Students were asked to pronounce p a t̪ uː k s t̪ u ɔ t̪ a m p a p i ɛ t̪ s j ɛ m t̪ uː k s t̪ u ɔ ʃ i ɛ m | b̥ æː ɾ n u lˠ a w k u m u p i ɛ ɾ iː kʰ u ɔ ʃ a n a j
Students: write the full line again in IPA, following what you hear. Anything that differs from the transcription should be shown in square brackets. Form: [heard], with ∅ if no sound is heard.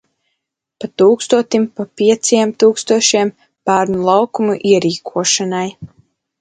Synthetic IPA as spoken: p a t̪ uː k s t̪ u ɔ t̪ [i] m p a p i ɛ t̪ s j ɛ m t̪ uː k s t̪ u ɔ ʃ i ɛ m | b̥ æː ɾ n u lˠ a w k u m u [ʔ] i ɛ ɾ iː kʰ u ɔ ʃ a n a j